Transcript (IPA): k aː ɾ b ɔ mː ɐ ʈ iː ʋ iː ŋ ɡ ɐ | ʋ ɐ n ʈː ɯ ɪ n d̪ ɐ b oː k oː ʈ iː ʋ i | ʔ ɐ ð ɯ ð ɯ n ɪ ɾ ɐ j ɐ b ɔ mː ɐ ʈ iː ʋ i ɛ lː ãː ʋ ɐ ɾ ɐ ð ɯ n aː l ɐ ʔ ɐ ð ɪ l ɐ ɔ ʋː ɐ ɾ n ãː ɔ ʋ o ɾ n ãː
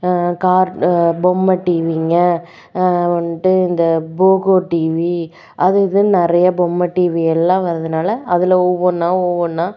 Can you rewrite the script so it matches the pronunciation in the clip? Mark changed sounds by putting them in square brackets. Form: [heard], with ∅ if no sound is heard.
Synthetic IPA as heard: k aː ɾ b ɔ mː ɐ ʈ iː ʋ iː ŋ ɡ ɐ | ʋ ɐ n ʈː ɯ ɪ n d̪ ɐ b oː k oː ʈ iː ʋ i | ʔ ɐ ð ɯ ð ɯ n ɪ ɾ ɐ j ɐ b ɔ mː ɐ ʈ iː ʋ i ɛ lː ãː ʋ ɐ ɾ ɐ ð ɯ n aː l ɐ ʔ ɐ ð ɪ l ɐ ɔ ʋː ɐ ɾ n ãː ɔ ʋ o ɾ n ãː